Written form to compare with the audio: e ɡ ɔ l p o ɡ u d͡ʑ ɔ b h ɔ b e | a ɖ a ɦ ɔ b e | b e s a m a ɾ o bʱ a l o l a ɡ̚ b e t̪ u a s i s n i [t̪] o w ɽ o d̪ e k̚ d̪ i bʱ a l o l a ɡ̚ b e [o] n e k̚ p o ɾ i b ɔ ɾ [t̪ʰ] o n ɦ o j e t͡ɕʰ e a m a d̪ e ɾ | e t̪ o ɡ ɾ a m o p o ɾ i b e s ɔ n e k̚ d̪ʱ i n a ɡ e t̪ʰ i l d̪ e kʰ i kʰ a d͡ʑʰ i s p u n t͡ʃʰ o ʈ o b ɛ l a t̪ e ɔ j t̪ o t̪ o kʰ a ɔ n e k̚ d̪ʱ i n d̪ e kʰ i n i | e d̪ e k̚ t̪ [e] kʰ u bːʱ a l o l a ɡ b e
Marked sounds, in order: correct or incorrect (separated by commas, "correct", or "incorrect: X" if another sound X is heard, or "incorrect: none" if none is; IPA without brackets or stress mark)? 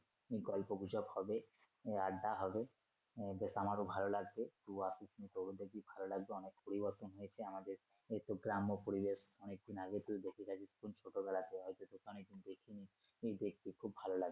correct, incorrect: ɔ, incorrect: t̪, incorrect: i